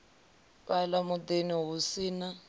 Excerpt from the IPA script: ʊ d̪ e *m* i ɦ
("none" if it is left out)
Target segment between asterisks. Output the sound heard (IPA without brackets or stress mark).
n